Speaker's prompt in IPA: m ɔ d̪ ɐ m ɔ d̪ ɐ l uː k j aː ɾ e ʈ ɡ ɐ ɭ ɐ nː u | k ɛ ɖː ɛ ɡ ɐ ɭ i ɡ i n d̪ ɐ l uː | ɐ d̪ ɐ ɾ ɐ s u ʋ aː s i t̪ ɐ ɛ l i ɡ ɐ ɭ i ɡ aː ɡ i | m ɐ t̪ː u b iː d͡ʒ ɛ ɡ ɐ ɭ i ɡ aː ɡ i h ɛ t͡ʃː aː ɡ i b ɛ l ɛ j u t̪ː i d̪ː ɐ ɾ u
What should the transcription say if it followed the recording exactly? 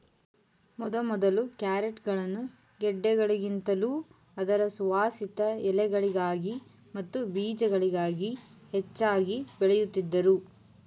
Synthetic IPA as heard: m ɔ d̪ ɐ m ɔ d̪ ɐ l u k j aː ɾ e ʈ ɡ ɐ ɭ ɐ nː u | ɡ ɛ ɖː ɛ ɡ ɐ ɭ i ɡ i n t̪ ɐ l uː | ɐ d̪ ɐ ɾ ɐ s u ʋ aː s i t̪ ɐ ɛ l ɛ ɡ ɐ ɭ i ɡ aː ɡ i | m ɐ t̪ː u b iː d͡ʒ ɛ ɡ ɐ ɭ i ɡ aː ɡ i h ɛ t͡ʃː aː ɡ i b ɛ ɭ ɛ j u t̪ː i d̪ː ɐ ɾ u